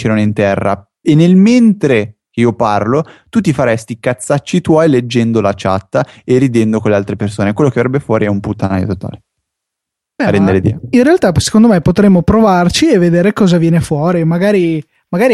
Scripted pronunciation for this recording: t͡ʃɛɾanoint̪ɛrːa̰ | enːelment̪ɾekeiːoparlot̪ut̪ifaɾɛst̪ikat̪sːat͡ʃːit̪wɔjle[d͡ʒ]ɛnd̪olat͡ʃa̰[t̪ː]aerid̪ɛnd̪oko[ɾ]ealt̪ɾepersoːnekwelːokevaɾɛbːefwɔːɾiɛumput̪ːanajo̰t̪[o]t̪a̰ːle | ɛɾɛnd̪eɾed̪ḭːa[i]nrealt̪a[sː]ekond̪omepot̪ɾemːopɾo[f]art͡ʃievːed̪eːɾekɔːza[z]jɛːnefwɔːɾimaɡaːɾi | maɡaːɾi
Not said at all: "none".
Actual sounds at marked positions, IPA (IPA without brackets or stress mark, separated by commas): d͡ʒː, t̪ː, l, o, i, s, v, v